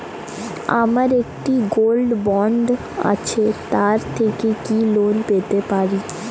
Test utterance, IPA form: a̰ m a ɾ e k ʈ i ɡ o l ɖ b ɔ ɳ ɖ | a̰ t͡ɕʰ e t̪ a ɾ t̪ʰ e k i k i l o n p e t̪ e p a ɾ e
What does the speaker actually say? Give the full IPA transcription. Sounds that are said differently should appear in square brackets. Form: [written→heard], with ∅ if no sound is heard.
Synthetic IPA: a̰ m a ɾ e k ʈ i ɡ o l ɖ b ɔ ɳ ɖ | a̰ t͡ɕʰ e t̪ a ɾ t̪ʰ e k [i→e] k i l o n p e t̪ e p a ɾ [e→i]